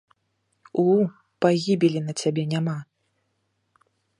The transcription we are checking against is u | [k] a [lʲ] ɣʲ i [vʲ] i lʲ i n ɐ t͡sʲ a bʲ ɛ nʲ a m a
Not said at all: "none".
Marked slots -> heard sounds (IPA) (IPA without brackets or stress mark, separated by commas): p, none, bʲ